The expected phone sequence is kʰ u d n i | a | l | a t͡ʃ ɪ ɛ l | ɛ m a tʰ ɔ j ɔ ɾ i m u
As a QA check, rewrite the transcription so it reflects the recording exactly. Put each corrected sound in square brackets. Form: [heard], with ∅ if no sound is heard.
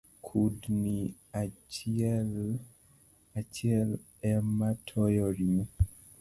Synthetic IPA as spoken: kʰ u d n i | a | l | a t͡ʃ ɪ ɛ l | ɛ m a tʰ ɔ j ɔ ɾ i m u

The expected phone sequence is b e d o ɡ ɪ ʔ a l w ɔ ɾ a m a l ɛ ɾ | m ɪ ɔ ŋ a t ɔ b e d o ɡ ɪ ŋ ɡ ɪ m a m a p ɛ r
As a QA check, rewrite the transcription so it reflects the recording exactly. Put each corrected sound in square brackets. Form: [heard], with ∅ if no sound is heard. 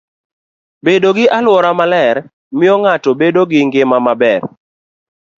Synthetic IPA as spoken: b e d o ɡ ɪ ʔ a l w ɔ ɾ a m a l ɛ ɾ | m ɪ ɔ ŋ a t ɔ b e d o ɡ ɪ ŋ ɡ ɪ m a m a [b] ɛ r

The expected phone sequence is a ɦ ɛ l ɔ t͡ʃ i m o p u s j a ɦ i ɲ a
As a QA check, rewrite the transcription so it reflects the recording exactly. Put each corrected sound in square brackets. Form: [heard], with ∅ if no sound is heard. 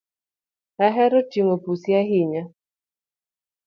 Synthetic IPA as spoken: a ɦ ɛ [ɾ] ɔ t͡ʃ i [ŋ] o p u s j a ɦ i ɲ a

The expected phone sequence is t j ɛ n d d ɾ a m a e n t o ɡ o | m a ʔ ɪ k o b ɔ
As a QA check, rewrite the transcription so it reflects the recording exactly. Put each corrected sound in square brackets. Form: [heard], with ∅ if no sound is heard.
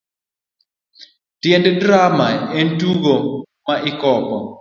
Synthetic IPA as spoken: t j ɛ n d d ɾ a m a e n t [u] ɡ o | m a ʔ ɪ k [ɔ] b ɔ

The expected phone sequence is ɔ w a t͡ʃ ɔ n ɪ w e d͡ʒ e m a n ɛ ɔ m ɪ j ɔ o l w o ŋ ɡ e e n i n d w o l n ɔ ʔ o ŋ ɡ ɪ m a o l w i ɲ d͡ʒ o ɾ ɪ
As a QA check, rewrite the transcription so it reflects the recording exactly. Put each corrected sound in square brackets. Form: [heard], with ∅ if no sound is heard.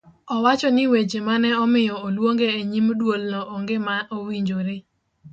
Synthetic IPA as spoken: ɔ w a t͡ʃ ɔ n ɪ w e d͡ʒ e m a n ɛ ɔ m ɪ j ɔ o l w o ŋ ɡ e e [ɲ] i [m] d w o l n ɔ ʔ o ŋ ɡ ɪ m a o [∅] w i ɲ d͡ʒ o ɾ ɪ

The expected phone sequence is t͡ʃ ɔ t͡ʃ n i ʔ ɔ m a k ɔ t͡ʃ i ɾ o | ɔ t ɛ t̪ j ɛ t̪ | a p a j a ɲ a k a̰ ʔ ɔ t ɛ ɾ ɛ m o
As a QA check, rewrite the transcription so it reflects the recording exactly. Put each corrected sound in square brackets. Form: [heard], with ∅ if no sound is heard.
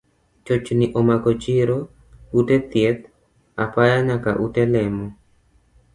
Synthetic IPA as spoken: t͡ʃ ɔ t͡ʃ n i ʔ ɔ m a k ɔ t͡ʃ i ɾ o | [u] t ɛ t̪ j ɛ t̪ | a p a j a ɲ a k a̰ ʔ [u] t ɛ [l] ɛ m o

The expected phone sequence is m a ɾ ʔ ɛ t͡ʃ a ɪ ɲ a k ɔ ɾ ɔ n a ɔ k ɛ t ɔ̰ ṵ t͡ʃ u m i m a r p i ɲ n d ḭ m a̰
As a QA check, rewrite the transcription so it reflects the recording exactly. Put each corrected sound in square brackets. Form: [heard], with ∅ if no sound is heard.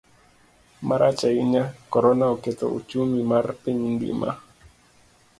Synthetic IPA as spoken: m a ɾ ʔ [a] t͡ʃ a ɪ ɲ a k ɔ ɾ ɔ n a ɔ k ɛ t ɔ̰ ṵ t͡ʃ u m i m a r p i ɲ n d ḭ m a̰

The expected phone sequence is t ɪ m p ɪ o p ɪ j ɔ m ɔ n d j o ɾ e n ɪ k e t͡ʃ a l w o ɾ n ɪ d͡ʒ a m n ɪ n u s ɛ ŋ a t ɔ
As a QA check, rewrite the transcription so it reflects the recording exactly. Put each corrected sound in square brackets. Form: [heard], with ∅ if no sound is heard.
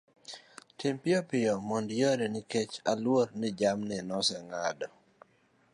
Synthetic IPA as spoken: t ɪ m p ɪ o p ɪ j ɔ m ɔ n d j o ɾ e n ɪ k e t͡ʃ a l w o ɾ n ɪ d͡ʒ a m n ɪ n [ɔ] s ɛ ŋ a [d] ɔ

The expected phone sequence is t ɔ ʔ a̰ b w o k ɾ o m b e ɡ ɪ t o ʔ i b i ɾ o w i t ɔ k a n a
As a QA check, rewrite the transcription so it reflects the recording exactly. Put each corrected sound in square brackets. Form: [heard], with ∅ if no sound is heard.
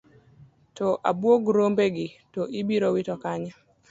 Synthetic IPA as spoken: t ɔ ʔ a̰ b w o [ɡ] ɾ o m b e ɡ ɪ t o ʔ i b i ɾ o w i t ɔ k a [ɲ] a

